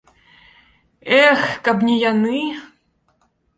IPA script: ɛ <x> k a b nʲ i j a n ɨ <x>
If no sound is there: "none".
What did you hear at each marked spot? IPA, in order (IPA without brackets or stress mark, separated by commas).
x, none